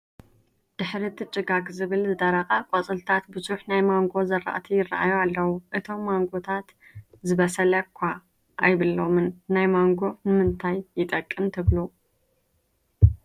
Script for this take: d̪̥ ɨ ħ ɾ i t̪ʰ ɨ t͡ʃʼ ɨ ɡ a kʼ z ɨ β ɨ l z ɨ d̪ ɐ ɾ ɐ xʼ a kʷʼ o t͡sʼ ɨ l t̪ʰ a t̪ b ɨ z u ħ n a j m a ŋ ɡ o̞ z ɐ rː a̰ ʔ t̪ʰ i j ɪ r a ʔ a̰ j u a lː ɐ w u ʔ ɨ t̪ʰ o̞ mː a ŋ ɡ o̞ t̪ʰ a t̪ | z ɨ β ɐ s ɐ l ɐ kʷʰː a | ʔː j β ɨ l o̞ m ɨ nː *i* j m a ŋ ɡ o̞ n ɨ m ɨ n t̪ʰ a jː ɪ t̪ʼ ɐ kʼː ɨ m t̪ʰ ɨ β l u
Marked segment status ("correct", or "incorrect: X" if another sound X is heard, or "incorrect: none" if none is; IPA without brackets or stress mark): incorrect: a